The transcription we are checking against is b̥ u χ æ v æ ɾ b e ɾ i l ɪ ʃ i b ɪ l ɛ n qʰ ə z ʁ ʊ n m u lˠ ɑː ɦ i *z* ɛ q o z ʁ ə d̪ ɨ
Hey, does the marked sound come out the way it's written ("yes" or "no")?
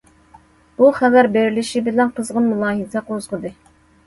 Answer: yes